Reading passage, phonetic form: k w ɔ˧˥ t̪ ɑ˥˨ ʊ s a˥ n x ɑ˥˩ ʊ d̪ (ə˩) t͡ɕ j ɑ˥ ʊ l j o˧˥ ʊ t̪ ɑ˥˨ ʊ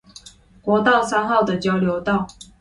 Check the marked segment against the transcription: correct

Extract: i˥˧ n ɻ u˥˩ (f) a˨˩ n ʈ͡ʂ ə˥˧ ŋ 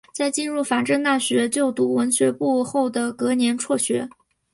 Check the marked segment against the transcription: correct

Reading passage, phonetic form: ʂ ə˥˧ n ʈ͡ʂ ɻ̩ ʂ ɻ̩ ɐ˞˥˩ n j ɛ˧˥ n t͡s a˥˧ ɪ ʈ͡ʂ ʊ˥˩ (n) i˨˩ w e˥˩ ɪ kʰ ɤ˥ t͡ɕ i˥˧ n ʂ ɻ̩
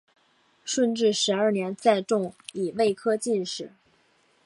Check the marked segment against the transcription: incorrect: ŋ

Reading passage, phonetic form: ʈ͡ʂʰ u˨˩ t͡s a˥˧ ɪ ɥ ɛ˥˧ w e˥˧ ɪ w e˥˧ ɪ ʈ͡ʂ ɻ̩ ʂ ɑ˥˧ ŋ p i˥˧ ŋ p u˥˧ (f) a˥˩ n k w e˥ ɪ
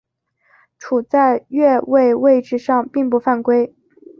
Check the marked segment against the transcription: correct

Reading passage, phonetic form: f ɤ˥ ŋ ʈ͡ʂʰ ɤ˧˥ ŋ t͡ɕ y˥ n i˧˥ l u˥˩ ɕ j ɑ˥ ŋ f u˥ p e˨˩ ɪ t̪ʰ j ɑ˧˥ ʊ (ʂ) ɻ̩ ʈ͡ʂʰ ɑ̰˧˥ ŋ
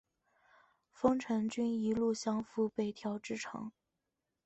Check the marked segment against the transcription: incorrect: ʈ͡ʂ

